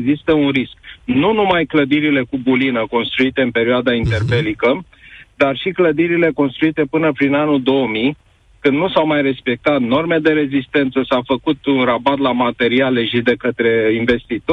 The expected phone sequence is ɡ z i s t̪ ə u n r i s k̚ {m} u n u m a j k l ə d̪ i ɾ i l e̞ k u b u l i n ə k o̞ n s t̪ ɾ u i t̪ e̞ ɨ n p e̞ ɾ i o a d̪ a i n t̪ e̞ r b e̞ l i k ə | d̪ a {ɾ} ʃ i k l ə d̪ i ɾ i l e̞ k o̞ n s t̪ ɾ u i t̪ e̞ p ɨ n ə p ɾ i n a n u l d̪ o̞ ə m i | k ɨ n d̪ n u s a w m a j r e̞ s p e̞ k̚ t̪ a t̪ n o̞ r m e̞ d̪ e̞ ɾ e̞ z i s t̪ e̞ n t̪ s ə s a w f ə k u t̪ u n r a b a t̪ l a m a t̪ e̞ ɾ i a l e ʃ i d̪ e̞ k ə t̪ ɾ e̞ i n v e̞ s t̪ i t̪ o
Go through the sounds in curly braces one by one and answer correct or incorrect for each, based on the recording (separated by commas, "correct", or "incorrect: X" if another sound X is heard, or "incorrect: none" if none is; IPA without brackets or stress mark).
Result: incorrect: n, incorrect: r